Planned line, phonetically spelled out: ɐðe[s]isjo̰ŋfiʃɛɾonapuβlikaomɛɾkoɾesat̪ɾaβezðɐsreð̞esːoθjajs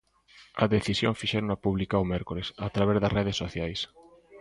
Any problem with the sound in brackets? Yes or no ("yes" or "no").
yes